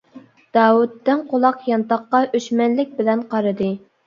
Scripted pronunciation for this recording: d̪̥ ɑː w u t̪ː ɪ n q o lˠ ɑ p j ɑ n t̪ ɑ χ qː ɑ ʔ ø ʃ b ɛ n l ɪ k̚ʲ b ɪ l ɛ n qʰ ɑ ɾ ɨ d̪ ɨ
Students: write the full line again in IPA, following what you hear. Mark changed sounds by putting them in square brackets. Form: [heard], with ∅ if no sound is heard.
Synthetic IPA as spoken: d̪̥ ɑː w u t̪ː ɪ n q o lˠ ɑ [q] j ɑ n t̪ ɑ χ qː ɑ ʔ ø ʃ [m] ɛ n l ɪ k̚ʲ b ɪ l ɛ n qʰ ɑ ɾ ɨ d̪ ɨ